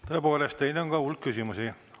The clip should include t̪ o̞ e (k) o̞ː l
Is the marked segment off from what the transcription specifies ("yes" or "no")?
yes